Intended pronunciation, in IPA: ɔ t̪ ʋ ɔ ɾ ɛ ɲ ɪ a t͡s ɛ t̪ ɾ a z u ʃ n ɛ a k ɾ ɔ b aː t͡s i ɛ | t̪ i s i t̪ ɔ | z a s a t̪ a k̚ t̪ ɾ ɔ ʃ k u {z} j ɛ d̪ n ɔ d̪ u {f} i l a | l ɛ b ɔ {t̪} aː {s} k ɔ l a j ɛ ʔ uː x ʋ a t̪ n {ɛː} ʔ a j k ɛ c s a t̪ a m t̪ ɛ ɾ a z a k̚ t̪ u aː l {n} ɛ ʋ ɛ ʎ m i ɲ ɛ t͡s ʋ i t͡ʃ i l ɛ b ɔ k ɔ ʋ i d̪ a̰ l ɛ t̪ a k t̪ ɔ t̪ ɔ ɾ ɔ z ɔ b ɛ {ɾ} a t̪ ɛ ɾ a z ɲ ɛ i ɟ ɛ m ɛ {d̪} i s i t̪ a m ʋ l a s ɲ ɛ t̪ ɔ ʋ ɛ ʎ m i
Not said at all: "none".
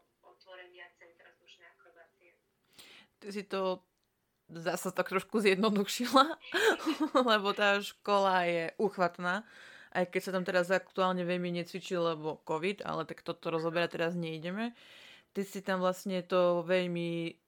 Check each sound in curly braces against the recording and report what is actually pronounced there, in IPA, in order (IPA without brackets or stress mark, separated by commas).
z, ʃ, t̪, ʃ, aː, ɲ, ɾ, t̪